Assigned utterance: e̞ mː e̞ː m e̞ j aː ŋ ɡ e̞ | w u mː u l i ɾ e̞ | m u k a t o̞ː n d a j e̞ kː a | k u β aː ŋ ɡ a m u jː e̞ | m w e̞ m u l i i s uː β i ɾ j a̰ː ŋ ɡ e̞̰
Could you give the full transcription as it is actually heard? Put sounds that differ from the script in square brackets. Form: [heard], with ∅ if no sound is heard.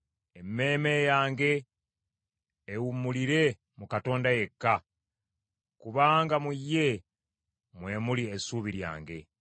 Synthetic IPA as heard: e̞ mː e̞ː m e̞ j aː ŋ ɡ e̞ | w u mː u l i ɾ e̞ | m u k a t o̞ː n d a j e̞ kː a | k u β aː ŋ ɡ a m u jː e̞ | m w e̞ m u l i [e] s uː β i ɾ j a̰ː ŋ ɡ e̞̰